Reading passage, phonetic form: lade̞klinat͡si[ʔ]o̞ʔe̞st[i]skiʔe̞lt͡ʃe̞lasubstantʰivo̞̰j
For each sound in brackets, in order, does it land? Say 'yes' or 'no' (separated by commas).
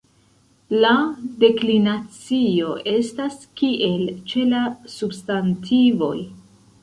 no, no